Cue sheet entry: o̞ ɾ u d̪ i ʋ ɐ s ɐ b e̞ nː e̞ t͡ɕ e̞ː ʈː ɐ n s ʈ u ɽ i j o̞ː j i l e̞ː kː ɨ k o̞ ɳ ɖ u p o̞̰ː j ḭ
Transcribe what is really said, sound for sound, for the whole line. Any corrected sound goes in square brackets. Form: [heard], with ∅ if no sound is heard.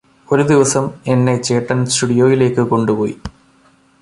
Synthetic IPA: o̞ ɾ u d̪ i ʋ ɐ s ɐ [m] e̞ nː e̞ t͡ɕ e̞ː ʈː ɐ n s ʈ u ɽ i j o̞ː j i l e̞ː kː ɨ k o̞ ɳ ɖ u p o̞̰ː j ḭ